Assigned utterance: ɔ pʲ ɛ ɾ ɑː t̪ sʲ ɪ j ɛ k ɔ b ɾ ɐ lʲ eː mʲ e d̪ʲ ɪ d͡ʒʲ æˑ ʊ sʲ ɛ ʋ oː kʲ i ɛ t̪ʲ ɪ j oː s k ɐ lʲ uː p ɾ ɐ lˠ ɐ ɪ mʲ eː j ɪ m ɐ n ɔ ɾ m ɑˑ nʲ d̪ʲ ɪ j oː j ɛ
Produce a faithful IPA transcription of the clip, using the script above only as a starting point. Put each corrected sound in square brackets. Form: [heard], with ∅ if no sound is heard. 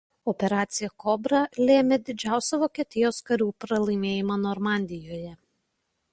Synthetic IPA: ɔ pʲ ɛ ɾ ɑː t̪ sʲ ɪ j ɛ k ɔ b ɾ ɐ lʲ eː mʲ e d̪ʲ ɪ d͡ʒʲ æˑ ʊ sʲ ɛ ʋ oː kʲ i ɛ t̪ʲ ɪ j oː s k ɐ [ɾʲ] uː p ɾ ɐ lˠ ɐ ɪ mʲ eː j ɪ m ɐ n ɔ ɾ m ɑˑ nʲ d̪ʲ ɪ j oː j ɛ